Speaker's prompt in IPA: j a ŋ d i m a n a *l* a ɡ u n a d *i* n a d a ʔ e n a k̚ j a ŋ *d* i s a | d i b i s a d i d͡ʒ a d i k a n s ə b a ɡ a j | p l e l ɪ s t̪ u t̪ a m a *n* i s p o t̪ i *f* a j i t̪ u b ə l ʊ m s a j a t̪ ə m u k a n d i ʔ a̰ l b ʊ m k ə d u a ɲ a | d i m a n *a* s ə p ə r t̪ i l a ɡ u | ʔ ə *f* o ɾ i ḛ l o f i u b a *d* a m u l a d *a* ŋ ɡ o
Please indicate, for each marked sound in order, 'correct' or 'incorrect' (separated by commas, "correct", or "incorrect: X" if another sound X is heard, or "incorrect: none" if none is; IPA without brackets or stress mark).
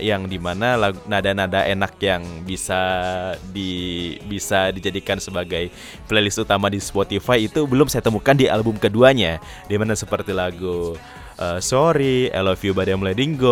correct, incorrect: a, incorrect: b, incorrect: d, correct, correct, incorrect: s, correct, incorrect: i